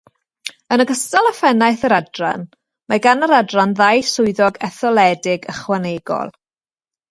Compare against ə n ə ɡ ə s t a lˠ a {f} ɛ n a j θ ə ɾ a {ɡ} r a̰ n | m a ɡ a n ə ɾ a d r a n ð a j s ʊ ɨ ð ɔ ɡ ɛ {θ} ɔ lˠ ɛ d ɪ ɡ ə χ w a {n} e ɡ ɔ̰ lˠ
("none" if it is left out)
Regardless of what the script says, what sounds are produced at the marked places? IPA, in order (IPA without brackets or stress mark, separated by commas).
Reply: f, d, θ, n